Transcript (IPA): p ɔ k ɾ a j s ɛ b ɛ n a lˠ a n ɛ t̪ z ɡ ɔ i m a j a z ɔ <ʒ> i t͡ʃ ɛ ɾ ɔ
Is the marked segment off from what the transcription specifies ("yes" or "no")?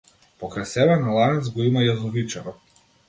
yes